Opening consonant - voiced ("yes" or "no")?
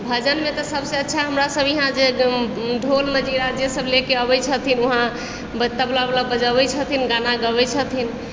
yes